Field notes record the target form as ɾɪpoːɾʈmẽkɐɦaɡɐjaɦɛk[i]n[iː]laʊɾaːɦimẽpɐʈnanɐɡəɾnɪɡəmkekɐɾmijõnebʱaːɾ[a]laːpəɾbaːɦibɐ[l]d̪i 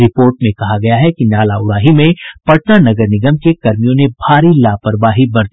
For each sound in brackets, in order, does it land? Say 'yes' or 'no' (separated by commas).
yes, no, no, no